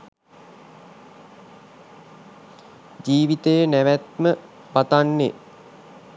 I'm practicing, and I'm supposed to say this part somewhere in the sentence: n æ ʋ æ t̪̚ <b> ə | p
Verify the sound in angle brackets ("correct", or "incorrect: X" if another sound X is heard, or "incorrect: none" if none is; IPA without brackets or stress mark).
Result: incorrect: m